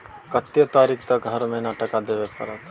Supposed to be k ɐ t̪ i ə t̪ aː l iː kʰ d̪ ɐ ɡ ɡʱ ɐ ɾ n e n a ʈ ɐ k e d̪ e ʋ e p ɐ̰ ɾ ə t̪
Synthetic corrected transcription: k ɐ t̪ j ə t̪ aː ɾ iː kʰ t̪ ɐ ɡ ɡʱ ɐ ɾ m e n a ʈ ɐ k a d̪ e ʋ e p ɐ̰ ɾ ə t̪